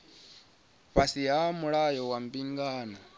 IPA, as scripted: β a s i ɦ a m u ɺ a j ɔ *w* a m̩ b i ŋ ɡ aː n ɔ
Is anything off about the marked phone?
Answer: no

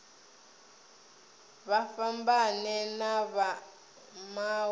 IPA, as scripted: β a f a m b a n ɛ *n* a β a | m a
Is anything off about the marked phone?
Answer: no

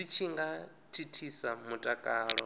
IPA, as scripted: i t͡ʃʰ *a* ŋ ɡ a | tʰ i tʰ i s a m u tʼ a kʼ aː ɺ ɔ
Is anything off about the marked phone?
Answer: yes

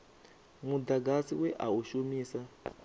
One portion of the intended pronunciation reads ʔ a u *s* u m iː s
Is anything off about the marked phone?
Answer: yes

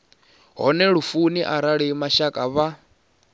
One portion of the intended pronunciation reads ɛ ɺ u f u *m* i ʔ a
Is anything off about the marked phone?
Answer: yes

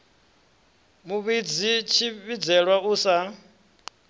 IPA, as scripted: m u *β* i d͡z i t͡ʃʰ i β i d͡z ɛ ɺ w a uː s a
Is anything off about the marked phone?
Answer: no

